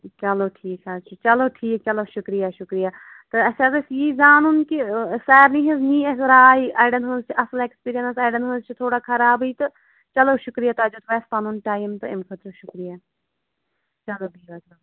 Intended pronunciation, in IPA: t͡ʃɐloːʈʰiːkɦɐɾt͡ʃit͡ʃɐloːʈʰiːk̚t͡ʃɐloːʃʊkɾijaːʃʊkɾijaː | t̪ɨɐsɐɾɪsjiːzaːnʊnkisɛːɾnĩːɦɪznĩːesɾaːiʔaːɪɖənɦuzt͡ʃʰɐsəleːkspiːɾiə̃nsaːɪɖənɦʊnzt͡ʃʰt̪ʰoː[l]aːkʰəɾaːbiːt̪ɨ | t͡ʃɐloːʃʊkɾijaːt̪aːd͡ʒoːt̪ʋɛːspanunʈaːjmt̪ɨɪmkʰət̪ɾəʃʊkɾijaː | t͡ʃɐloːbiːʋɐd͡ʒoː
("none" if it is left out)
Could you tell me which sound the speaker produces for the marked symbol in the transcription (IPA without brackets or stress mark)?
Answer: ɽ